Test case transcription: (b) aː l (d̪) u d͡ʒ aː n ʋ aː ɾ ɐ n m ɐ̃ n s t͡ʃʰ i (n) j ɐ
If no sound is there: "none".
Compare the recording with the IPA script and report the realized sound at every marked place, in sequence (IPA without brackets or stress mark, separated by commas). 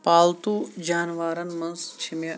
p, t̪, m